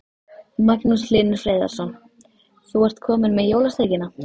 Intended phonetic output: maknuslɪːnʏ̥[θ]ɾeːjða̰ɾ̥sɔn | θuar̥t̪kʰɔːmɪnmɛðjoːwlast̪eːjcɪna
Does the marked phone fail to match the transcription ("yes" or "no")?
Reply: yes